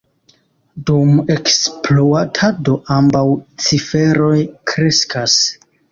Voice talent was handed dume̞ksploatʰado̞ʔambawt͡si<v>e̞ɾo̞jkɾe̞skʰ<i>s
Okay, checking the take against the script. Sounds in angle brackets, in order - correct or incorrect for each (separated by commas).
incorrect, incorrect